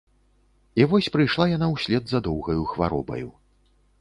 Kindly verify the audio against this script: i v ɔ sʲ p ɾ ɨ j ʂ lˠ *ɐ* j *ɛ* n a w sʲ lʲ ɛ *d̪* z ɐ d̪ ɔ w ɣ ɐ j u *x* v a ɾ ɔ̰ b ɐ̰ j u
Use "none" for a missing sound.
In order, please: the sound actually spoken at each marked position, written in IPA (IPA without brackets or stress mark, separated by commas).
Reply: a, a, d̪, x